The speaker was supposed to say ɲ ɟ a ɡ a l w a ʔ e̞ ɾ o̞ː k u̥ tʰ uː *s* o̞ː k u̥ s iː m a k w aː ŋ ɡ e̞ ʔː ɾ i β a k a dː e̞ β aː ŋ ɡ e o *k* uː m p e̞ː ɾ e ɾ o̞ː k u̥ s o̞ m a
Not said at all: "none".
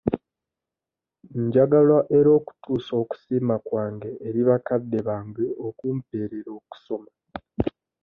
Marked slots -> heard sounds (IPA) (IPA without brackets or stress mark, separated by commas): s, k